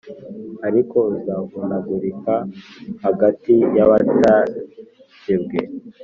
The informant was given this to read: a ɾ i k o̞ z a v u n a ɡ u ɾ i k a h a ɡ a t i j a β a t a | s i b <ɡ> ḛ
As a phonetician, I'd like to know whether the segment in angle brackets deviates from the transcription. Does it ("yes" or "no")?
no